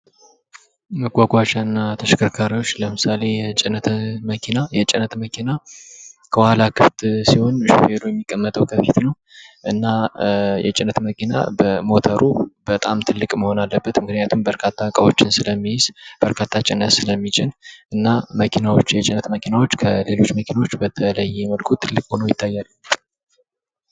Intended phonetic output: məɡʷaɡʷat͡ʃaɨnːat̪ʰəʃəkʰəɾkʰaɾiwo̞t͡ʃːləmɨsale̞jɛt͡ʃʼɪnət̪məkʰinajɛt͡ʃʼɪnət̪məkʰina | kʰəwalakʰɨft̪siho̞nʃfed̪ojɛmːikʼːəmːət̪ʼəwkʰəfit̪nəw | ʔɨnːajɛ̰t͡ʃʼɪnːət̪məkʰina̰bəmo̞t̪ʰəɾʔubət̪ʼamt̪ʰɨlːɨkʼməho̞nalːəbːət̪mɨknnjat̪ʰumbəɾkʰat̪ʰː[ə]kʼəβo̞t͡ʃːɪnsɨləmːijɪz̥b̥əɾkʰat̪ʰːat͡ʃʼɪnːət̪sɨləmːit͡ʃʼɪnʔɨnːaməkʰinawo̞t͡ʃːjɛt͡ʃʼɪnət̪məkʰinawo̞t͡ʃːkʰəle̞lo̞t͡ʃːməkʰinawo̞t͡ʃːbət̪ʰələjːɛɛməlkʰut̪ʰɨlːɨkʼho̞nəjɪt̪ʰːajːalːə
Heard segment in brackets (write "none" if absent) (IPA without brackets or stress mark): a